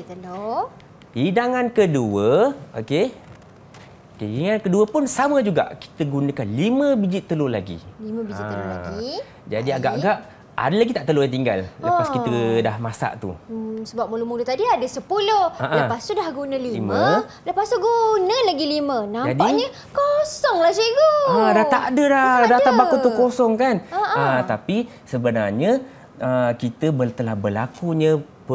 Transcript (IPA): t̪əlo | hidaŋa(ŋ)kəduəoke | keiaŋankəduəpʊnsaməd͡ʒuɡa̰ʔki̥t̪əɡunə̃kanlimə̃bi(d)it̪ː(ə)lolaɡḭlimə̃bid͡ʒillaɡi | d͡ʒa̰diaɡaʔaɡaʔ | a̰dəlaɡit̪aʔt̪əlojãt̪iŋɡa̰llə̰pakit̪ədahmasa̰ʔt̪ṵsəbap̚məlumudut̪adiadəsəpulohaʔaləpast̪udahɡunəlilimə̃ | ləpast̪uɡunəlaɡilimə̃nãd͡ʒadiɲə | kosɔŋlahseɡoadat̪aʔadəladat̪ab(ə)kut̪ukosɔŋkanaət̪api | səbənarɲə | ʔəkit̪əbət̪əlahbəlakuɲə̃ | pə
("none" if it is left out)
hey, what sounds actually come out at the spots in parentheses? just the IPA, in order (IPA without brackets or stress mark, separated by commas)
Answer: n, d͡ʒ, ə, a